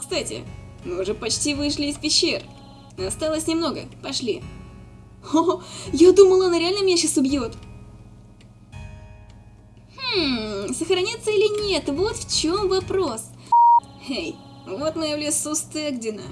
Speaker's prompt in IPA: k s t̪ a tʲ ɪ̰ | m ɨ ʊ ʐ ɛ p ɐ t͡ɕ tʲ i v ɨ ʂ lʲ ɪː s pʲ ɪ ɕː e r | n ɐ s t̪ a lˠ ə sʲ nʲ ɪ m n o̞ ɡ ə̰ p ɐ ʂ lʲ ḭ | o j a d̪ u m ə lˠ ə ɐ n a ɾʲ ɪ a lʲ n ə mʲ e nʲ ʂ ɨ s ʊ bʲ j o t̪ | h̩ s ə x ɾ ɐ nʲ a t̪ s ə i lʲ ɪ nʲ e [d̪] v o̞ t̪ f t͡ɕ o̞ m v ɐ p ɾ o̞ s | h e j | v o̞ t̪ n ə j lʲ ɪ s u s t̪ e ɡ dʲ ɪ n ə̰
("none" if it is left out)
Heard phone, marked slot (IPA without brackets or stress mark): t̪